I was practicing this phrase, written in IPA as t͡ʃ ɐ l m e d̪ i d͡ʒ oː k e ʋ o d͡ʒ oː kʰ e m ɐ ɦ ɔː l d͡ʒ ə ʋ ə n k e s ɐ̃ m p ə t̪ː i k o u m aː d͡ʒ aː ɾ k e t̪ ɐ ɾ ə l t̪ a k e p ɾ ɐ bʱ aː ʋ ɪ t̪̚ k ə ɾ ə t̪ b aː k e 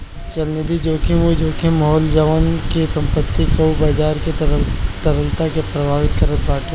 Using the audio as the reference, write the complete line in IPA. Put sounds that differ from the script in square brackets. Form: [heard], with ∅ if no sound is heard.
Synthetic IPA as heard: t͡ʃ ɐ l [n] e d̪ i d͡ʒ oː k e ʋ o d͡ʒ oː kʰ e m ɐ ɦ ɔː l d͡ʒ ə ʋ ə n k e s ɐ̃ m p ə t̪ː i k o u [b] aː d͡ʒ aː ɾ k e t̪ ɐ ɾ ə l t̪ a k e p ɾ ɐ bʱ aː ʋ ɪ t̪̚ k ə ɾ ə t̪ b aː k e

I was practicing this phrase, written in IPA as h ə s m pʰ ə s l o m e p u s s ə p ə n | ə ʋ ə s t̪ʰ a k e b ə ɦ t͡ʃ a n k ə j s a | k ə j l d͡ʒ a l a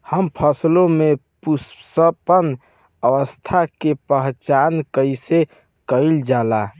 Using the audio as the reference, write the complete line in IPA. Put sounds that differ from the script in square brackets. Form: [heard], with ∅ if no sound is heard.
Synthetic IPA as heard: h ə [∅] m pʰ ə s l o m e p u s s ə p ə n | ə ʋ ə s t̪ʰ a k e [p] ə ɦ t͡ʃ a n k ə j s [e] | k ə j l d͡ʒ a l a

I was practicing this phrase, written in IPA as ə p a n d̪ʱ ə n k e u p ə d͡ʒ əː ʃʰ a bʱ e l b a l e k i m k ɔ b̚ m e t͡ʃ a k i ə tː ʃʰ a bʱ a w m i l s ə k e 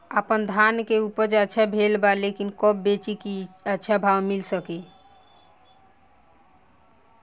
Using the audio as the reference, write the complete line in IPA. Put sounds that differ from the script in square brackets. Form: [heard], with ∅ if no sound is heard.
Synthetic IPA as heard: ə p [ə] n d̪ʱ [a] n k e u p ə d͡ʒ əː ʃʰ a bʱ e l b a l e k i [n] k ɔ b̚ [b] e t͡ʃ [i] k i ə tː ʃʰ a bʱ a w m i l s ə k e

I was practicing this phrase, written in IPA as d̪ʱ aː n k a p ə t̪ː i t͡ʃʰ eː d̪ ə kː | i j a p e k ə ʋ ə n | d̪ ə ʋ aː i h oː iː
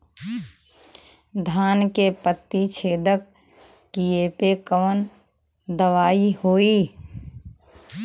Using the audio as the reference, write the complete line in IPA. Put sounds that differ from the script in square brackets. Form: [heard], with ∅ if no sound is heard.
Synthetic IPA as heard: d̪ʱ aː n k [e] p ə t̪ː i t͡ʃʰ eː d̪ ə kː | i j [e] p e k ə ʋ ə n | d̪ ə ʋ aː i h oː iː

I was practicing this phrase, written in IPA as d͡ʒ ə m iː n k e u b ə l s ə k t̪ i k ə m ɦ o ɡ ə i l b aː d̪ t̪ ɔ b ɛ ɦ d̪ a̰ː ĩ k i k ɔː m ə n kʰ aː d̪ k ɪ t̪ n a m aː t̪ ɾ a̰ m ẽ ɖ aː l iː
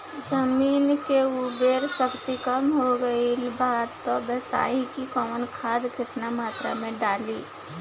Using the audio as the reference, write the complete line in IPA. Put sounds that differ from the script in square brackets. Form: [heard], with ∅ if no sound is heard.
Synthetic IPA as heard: d͡ʒ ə m iː n k e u b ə [ɾ] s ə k t̪ i k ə m ɦ o ɡ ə i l b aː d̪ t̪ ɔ b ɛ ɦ [t̪] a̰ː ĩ k i k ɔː m ə n kʰ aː d̪ k ɪ t̪ n a m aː t̪ ɾ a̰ m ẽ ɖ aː l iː

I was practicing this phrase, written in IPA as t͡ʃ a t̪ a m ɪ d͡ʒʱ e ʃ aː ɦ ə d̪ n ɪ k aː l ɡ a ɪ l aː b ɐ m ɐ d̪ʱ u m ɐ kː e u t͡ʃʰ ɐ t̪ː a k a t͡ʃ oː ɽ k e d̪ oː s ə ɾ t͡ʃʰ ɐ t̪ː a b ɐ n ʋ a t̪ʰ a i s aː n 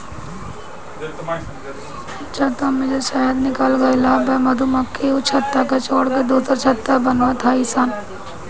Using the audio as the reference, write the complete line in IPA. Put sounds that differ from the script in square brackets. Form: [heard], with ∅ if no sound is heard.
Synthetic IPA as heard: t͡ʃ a t̪ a m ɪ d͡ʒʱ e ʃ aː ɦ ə d̪ n ɪ k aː l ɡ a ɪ l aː b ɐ m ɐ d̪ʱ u m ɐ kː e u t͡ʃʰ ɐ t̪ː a k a t͡ʃ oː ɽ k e d̪ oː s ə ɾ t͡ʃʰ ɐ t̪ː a b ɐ n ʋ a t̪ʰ a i s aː n

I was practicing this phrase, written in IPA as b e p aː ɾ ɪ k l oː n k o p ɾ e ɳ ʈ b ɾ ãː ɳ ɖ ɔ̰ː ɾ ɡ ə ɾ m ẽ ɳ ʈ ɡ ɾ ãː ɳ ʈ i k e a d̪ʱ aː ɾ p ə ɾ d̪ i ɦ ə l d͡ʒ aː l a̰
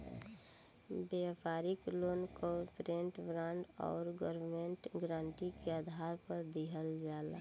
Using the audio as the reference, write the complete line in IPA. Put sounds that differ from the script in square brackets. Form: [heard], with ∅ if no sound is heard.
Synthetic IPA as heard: b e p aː ɾ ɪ k l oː n k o p ɾ e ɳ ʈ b ɾ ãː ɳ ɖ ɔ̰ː ɾ ɡ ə ɾ m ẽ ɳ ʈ ɡ ɾ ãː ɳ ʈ i k e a d̪ʱ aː ɾ p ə ɾ d̪ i ɦ ə l d͡ʒ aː l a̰

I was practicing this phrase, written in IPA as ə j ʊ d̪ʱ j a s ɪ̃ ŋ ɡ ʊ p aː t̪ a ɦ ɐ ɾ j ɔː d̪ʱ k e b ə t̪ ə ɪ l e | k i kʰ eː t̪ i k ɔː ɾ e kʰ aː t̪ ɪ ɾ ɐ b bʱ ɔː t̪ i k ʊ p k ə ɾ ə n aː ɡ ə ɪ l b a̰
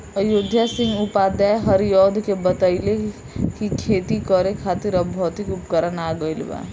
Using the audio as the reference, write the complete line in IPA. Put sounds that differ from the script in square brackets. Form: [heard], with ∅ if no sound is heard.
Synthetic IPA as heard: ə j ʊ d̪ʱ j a s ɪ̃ ŋ ɡ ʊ p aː [d̪] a ɦ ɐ ɾ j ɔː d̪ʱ k e b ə t̪ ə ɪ l e | k i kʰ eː t̪ i k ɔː ɾ e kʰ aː t̪ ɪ ɾ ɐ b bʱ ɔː t̪ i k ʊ p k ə ɾ ə n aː ɡ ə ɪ l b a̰

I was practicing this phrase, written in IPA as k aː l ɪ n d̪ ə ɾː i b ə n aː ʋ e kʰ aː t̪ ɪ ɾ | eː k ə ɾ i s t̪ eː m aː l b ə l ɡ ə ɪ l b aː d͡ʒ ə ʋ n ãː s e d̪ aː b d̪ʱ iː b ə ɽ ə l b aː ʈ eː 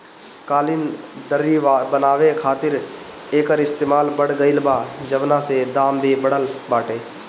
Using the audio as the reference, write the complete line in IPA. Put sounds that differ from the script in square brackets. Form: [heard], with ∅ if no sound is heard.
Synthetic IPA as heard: k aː l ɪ n d̪ ə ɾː i b ə n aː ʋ e kʰ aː t̪ ɪ ɾ | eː k ə ɾ [ɪ] s t̪ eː m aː l b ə [ɽ] ɡ ə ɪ l b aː d͡ʒ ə ʋ n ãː s e d̪ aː [m] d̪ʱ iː b ə ɽ ə l b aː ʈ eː

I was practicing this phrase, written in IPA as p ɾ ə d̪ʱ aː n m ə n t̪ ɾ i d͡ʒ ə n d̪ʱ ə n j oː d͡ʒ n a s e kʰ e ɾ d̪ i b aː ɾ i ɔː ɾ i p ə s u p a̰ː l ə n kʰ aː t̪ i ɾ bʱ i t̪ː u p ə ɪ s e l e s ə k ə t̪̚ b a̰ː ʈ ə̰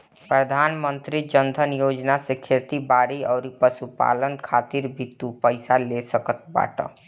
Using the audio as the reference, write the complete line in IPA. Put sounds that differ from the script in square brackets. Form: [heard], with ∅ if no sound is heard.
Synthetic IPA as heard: p ɾ ə d̪ʱ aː n m ə n t̪ ɾ i d͡ʒ ə n d̪ʱ ə n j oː d͡ʒ n a s e kʰ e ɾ [t̪] i b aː ɾ i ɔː ɾ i p ə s u p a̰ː l ə n kʰ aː t̪ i ɾ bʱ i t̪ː u p ə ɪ s [a] l e s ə k ə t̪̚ b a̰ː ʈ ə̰

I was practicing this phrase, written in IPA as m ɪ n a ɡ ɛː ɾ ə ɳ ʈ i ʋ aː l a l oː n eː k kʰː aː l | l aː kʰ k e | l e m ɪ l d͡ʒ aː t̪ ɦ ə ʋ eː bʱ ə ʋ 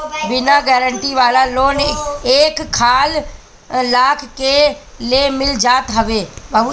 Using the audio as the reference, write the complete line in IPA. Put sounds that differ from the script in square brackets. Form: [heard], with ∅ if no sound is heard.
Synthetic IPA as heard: [b] ɪ n a ɡ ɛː ɾ ə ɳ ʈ i ʋ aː l a l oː n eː k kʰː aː l | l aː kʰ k e | l e m ɪ l d͡ʒ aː t̪ ɦ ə ʋ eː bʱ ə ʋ

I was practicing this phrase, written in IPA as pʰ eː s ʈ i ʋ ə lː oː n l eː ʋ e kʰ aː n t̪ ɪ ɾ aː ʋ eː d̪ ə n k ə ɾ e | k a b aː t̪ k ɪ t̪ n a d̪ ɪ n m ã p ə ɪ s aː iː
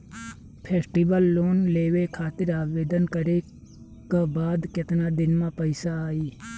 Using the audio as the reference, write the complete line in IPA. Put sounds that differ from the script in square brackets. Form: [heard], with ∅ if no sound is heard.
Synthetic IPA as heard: pʰ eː s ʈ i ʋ ə lː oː n l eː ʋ e kʰ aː [∅] t̪ ɪ ɾ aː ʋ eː d̪ ə n k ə ɾ e | k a b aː [d̪] k ɪ t̪ n a d̪ ɪ n m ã p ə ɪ s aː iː

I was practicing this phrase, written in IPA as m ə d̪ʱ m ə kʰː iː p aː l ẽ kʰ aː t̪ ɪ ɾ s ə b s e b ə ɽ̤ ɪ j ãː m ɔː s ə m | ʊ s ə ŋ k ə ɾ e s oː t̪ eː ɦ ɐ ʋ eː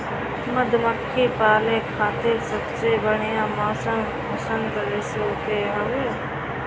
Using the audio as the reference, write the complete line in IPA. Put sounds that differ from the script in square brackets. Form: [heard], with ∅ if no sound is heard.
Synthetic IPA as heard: m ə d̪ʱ m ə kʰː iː p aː l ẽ kʰ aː t̪ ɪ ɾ s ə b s e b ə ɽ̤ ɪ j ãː m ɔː s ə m | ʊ s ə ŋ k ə ɾ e s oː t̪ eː ɦ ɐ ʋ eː

